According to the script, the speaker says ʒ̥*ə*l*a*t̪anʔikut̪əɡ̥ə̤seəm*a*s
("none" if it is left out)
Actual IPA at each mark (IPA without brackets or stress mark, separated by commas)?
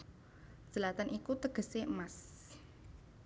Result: ə, a, a